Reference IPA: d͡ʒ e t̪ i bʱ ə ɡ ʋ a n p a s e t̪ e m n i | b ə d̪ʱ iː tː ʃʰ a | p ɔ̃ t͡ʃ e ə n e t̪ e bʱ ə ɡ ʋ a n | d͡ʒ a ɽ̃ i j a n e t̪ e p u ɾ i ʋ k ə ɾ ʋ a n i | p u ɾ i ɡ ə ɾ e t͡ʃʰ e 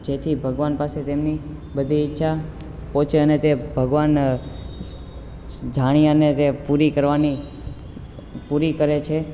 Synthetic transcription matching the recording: d͡ʒ e t̪ʰ i bʱ ə ɡ ʋ a n p a s e t̪ e m n i | b ə d̪ʱ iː tː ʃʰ a | p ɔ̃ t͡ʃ e ə n e t̪ e bʱ ə ɡ ʋ a n | d͡ʒ a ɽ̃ i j a n e t̪ e p u ɾ i k ə ɾ ʋ a n i | p u ɾ i k ə ɾ e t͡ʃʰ e